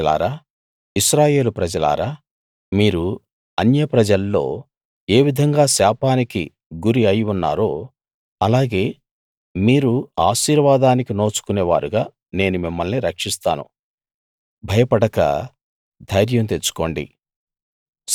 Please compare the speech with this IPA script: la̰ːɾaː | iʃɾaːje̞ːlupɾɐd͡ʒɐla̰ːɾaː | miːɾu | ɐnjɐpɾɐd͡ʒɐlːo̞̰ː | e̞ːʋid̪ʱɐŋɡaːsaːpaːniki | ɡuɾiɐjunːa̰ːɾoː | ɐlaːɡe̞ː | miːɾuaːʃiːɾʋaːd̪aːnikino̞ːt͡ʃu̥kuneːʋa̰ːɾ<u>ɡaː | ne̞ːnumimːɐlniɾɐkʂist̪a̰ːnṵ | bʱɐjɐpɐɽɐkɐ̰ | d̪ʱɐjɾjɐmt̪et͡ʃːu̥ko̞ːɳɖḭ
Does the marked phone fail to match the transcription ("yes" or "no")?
no